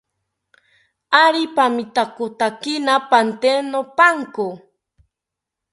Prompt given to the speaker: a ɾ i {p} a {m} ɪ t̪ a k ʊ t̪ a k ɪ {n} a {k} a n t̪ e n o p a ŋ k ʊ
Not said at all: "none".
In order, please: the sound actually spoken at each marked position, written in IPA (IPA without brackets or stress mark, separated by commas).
p, m, n, p